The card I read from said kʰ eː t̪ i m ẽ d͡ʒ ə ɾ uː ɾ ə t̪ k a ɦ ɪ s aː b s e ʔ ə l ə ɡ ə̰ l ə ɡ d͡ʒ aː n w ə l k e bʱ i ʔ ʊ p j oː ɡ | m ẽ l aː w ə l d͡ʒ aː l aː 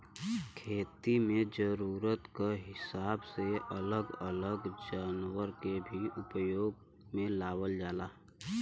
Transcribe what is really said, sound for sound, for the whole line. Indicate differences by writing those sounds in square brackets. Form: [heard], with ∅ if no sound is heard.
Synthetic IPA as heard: kʰ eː t̪ i m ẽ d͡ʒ ə ɾ uː ɾ ə t̪ k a ɦ ɪ s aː b s e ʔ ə l ə ɡ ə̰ l ə ɡ d͡ʒ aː n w ə [ɾ] k e bʱ i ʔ ʊ p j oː ɡ | m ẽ l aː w ə l d͡ʒ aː l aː